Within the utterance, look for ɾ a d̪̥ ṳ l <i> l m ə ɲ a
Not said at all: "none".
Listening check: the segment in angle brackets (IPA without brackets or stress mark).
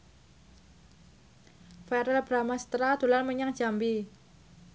a